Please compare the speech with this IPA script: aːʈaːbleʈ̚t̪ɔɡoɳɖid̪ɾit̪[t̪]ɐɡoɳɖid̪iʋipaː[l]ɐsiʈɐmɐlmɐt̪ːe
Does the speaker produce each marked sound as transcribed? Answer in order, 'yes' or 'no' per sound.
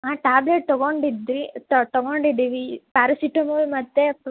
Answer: yes, no

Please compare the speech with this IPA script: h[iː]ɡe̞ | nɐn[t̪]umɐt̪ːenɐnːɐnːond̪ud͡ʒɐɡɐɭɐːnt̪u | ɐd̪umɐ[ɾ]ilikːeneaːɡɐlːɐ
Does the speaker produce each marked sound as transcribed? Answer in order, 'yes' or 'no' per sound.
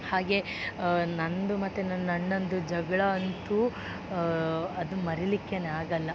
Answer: no, no, yes

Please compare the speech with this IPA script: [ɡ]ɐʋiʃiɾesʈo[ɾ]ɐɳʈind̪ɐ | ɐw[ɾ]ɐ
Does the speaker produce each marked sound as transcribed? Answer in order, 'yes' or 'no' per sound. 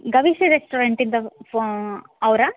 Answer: yes, yes, yes

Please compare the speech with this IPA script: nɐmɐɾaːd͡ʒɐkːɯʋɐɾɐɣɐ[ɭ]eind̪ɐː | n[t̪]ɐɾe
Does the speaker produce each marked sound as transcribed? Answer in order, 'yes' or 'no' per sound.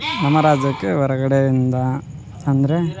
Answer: no, no

